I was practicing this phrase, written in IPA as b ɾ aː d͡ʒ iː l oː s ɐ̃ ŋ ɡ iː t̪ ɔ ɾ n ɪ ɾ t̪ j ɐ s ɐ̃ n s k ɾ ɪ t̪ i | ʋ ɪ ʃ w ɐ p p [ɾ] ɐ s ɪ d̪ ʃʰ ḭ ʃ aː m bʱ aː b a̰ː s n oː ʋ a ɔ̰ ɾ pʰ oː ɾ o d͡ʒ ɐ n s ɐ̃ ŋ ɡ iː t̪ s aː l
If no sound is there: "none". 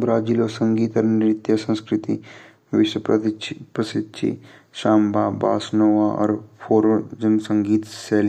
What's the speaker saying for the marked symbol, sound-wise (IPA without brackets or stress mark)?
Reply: ɾ